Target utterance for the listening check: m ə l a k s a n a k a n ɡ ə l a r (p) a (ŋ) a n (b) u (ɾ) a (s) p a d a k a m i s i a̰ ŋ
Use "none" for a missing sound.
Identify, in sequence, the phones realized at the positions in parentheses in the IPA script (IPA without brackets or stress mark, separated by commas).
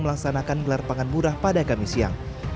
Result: p, ŋ, b, ɾ, h